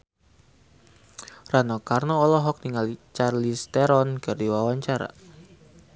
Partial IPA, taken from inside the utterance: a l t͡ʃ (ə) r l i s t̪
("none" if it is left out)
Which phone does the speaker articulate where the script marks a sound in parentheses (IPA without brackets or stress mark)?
a